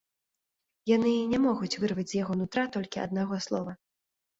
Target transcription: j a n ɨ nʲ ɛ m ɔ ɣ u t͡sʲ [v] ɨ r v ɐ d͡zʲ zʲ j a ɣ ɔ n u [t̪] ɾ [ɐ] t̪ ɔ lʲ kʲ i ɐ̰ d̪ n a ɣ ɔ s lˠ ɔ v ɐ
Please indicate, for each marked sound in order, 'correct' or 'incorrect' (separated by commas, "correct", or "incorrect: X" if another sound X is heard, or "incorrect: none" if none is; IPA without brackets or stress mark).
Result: correct, correct, incorrect: a